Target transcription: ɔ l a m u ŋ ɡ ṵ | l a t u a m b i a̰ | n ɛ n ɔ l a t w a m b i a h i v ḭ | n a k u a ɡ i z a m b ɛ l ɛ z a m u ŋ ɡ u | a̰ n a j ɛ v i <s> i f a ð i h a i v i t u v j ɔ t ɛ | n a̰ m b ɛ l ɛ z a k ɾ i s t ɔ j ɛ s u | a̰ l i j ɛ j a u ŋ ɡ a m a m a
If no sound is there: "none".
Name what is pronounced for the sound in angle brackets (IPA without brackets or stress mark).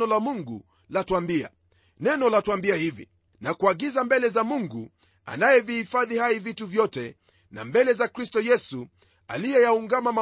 h